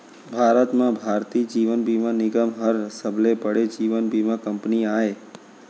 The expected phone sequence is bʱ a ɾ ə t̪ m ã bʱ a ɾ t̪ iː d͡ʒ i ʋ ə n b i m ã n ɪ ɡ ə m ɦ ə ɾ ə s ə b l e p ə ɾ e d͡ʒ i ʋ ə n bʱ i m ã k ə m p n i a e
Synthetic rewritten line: bʱ a ɾ ə t̪ m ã bʱ a ɾ t̪ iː d͡ʒ i ʋ ə n b i m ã n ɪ ɡ ə m ɦ ə ɾ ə s ə b l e p ə ɽ e d͡ʒ i ʋ ə n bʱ i m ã k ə m p n i a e